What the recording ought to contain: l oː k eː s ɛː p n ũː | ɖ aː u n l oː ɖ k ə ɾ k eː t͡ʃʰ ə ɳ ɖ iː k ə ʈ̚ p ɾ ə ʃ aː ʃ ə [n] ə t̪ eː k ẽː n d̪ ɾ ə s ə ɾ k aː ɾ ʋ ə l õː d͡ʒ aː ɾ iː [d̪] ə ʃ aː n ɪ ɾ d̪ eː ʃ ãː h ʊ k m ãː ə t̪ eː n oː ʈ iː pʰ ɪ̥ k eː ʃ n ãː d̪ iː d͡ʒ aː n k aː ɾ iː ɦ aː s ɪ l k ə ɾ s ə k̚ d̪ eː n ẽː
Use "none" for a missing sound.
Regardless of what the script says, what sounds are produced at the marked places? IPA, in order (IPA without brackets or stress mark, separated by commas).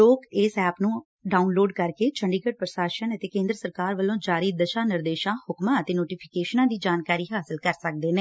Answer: n, d̪